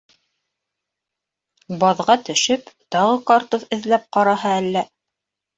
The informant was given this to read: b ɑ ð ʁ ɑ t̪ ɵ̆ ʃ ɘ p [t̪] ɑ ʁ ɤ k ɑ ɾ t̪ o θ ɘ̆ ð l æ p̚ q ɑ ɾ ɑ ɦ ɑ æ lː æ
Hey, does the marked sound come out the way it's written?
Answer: yes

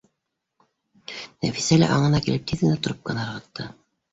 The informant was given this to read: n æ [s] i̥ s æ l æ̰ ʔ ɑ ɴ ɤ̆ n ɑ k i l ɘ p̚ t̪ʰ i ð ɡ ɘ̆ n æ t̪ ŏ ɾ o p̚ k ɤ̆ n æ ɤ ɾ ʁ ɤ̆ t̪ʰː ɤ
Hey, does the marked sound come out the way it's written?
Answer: no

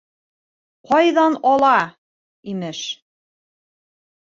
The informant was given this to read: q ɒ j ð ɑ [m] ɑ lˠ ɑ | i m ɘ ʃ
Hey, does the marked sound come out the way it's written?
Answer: no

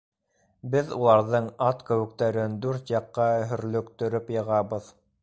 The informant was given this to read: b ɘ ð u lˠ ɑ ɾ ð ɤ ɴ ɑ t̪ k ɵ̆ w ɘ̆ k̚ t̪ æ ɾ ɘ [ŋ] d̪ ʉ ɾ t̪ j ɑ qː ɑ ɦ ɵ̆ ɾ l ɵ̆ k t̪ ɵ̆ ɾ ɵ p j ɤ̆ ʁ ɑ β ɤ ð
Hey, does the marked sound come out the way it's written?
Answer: no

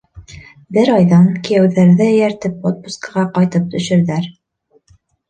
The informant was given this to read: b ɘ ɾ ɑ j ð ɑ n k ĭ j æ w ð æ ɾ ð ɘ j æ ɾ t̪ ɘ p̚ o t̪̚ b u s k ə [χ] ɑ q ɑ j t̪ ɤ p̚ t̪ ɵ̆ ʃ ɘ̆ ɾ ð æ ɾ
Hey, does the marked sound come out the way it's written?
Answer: no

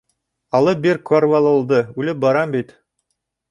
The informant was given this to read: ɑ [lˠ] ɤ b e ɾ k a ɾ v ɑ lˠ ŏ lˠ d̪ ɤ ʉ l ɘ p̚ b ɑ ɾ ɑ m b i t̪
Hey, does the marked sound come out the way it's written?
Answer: yes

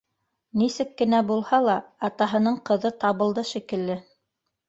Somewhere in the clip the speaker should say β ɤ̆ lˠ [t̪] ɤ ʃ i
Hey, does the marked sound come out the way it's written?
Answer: no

